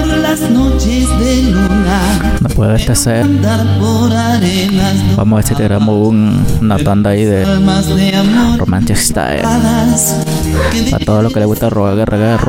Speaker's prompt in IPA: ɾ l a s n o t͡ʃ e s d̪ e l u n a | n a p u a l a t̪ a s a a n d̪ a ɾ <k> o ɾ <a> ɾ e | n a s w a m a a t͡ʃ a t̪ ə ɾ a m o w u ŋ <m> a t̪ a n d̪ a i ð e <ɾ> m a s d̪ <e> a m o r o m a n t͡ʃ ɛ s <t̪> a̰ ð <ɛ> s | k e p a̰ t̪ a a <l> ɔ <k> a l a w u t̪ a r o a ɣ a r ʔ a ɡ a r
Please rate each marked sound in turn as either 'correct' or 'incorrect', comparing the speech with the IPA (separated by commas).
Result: incorrect, correct, incorrect, incorrect, correct, correct, incorrect, correct, correct